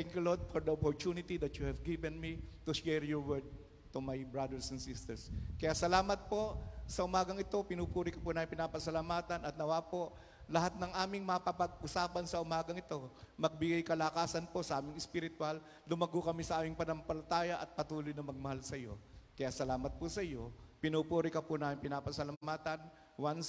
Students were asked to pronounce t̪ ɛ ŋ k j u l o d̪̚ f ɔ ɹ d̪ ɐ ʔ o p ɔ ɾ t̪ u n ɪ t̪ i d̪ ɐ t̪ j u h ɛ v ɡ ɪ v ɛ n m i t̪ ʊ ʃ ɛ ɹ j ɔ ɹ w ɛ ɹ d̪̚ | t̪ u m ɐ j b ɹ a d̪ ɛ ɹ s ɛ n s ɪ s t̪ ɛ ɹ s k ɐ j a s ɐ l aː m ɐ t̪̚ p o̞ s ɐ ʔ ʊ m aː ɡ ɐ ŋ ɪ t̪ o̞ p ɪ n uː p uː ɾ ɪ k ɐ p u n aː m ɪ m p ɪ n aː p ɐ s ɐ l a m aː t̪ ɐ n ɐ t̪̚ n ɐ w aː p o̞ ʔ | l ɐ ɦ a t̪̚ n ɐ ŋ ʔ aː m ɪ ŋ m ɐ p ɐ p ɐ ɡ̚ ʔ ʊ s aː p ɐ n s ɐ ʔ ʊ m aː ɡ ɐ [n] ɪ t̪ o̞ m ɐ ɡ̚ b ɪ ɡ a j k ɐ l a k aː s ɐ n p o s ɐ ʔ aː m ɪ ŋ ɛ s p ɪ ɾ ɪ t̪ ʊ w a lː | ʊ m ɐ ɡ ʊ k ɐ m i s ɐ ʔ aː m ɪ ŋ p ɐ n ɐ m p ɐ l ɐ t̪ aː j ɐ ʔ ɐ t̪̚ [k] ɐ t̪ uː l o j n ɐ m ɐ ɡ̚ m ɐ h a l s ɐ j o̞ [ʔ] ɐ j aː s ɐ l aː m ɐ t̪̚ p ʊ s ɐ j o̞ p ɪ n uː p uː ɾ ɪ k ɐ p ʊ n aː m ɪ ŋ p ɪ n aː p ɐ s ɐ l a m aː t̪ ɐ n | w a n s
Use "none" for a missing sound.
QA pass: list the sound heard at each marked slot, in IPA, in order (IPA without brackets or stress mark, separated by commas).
ŋ, p, k